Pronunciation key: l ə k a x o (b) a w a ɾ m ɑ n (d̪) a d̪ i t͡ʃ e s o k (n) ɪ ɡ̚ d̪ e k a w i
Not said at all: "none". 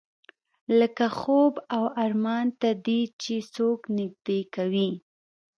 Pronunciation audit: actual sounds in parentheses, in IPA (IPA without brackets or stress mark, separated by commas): b, t̪, n